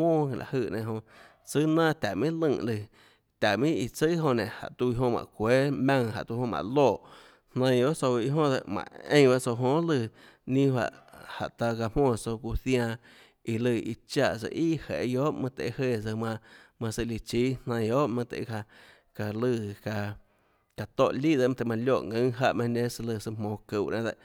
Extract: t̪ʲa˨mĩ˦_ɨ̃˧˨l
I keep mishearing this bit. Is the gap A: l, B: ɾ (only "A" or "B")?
A